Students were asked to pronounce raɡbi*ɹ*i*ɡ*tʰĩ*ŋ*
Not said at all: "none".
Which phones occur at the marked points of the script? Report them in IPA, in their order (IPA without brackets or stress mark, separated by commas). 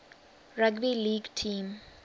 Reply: l, ɡ, m